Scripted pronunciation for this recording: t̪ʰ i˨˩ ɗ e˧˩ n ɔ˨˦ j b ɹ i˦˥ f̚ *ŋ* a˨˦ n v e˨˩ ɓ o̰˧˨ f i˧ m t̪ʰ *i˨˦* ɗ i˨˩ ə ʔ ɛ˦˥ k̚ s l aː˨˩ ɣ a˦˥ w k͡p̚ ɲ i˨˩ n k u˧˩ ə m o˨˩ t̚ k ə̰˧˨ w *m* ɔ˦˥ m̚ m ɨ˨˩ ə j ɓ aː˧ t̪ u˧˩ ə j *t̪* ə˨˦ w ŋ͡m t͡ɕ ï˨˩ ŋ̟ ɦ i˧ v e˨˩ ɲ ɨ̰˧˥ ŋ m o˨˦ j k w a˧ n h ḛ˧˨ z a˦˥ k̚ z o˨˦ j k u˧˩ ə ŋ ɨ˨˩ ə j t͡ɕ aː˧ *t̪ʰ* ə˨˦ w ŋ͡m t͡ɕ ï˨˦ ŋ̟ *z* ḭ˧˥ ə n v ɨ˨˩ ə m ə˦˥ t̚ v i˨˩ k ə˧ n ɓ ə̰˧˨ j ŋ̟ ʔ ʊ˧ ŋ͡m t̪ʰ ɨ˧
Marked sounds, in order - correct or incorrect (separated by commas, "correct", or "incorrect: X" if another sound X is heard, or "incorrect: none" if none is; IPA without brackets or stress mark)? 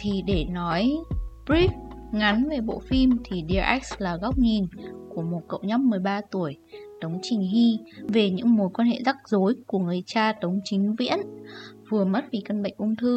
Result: correct, incorrect: i˨˩, incorrect: ɲ, correct, incorrect: t̪, incorrect: v